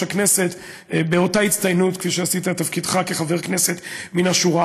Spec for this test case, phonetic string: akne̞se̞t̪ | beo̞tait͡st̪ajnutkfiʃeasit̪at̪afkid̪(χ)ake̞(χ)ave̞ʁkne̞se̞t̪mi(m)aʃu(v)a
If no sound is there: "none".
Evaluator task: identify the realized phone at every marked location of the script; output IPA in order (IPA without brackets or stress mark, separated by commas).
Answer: χ, χ, n, ʁ